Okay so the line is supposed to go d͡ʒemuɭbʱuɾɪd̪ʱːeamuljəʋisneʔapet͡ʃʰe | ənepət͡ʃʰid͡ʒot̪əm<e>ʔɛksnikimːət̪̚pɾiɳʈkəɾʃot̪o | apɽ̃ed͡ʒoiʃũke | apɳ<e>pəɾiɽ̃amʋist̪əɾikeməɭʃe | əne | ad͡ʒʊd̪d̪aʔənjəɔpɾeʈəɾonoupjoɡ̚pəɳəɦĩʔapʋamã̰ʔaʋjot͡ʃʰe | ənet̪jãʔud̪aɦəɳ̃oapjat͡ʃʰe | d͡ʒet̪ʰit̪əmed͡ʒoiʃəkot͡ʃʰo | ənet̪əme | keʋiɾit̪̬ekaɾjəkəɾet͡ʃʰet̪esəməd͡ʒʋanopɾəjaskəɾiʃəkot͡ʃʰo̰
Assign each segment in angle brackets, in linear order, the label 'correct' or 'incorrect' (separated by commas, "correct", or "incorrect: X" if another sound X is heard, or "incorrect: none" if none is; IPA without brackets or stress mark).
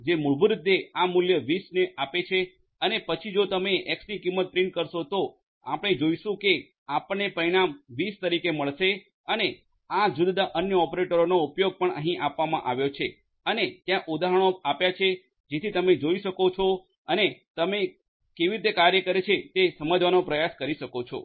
correct, correct